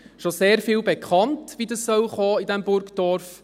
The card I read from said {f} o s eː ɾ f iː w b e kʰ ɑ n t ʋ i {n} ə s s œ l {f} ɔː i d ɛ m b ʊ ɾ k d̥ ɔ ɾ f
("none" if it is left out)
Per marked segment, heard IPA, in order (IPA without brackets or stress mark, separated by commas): ʃ, d, χ